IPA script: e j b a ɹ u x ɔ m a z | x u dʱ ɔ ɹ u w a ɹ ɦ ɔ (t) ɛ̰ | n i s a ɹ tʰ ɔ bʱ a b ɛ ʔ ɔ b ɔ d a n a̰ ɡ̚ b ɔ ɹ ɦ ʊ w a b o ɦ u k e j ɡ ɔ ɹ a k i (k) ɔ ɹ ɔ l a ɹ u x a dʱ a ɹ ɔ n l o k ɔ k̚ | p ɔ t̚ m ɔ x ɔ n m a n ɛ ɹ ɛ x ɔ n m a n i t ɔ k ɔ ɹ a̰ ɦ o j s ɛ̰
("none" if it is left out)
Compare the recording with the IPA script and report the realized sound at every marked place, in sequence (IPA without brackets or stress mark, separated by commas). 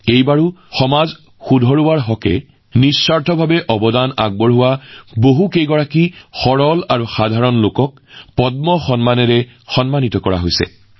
k, x